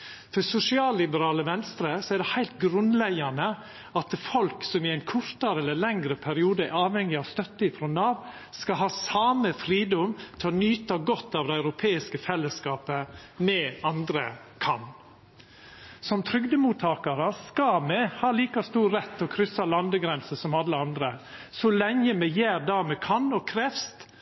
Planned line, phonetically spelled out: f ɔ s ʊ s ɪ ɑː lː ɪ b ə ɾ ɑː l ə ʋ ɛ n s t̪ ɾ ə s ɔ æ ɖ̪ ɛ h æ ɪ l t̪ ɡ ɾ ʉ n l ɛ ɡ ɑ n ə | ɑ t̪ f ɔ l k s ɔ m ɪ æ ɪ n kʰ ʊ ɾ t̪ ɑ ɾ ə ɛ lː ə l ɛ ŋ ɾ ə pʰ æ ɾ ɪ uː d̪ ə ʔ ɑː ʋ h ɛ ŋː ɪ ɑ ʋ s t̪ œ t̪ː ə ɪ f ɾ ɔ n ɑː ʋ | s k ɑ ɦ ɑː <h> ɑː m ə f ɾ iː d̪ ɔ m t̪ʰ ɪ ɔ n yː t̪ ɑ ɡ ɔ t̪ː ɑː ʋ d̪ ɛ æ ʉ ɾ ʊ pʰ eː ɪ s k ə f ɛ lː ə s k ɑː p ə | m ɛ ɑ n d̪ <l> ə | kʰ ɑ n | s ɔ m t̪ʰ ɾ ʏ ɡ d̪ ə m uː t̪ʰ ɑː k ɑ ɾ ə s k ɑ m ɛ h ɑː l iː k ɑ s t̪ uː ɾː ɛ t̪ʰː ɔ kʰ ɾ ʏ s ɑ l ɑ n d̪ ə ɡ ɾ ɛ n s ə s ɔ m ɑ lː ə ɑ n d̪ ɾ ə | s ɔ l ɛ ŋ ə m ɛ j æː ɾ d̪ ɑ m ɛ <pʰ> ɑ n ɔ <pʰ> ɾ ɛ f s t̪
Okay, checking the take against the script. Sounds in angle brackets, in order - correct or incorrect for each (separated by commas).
incorrect, incorrect, incorrect, incorrect